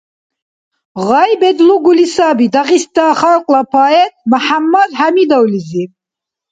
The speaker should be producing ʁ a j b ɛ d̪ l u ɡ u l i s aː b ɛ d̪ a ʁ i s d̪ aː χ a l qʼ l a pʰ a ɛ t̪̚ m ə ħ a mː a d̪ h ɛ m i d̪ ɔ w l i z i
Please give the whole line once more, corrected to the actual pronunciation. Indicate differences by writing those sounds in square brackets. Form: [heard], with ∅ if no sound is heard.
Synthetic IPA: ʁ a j b ɛ d̪ l u ɡ u l i s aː b [i] d̪ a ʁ i s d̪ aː χ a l qʼ l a pʰ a ɛ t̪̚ m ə ħ a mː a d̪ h [a] m i d̪ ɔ w l i z i